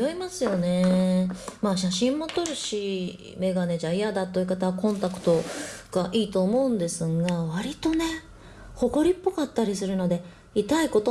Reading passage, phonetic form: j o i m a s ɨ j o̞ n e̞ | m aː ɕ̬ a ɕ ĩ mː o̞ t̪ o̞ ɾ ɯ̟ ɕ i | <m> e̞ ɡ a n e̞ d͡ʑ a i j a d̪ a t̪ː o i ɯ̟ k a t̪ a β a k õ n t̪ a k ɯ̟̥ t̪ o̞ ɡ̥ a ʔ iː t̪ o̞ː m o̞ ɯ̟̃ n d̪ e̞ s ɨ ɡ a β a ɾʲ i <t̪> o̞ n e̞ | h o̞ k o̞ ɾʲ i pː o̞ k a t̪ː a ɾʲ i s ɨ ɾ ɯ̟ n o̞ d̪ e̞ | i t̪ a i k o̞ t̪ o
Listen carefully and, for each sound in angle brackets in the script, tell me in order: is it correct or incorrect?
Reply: correct, correct

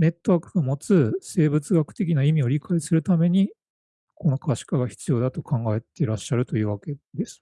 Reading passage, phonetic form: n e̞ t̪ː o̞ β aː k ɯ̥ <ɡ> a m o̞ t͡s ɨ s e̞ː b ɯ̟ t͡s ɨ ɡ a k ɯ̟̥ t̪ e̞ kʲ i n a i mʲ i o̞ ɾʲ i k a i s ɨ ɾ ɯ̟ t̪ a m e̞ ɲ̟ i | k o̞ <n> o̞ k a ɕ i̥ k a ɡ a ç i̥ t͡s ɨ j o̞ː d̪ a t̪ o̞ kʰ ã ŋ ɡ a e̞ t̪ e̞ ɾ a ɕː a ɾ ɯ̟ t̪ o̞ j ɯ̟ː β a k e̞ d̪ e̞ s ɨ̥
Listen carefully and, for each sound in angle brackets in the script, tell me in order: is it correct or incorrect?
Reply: correct, correct

